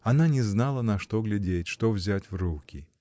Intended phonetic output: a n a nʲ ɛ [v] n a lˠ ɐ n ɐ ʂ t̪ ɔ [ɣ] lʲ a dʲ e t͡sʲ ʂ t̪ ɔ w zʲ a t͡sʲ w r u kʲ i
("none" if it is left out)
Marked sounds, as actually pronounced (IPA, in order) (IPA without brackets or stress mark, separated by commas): z, ɣ